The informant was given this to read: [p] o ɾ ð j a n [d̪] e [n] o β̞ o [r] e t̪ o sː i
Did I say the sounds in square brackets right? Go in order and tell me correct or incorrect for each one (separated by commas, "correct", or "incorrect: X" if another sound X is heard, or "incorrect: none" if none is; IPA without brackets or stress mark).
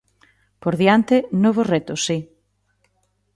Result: correct, incorrect: t̪, correct, correct